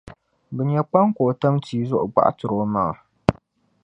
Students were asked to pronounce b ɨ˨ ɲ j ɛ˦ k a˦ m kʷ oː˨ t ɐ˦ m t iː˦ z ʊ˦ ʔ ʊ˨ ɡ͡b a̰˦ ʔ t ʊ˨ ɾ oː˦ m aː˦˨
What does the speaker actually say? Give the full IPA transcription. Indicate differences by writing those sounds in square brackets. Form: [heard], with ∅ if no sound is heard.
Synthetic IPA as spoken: b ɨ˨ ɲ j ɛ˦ [k͡p] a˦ [ŋ] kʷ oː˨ t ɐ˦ m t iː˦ z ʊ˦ ʔ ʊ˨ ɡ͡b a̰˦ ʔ t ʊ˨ ɾ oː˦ m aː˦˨